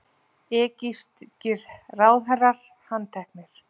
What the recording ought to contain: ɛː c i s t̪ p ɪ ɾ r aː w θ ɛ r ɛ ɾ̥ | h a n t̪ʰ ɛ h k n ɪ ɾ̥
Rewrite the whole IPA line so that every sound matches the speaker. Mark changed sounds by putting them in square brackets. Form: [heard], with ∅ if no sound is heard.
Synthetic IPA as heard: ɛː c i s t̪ [c] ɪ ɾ r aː w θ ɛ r [a] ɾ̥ | h a n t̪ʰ ɛ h k n ɪ ɾ̥